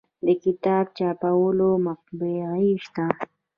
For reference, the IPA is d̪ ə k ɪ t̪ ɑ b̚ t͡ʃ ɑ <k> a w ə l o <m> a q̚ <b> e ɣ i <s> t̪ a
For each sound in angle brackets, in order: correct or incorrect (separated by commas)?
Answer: incorrect, correct, correct, incorrect